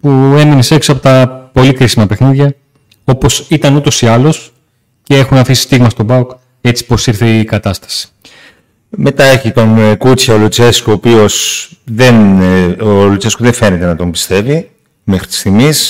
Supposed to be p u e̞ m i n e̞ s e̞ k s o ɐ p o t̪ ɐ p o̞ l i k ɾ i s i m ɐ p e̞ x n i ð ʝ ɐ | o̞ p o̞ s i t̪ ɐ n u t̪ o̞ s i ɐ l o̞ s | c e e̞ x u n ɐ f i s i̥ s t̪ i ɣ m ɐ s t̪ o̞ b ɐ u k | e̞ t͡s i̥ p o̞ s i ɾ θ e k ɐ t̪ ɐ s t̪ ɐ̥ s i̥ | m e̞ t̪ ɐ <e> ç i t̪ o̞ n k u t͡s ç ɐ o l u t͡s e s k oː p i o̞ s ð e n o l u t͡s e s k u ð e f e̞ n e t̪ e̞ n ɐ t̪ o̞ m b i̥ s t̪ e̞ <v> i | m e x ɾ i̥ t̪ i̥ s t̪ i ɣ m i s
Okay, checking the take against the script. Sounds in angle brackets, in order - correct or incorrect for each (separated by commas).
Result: correct, correct